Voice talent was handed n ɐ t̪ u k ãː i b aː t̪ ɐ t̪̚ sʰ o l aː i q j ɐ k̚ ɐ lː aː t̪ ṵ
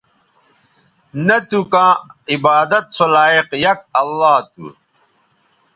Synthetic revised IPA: n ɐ t̪ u k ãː i b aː d̪ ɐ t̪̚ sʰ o l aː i q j ɐ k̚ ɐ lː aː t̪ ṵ